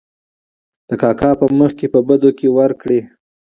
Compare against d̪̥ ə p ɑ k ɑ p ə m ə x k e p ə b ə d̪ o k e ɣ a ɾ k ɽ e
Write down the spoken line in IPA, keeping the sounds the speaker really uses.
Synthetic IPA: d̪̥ ə k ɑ k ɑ p ə m ə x k e p ə b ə d̪ o k e w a ɾ k ɽ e